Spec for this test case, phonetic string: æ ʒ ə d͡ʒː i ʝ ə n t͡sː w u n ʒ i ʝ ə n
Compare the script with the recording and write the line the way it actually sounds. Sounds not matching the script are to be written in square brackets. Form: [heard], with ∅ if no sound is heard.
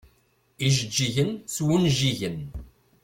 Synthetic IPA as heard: [i] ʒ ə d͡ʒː i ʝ ə n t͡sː w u n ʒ i ʝ ə n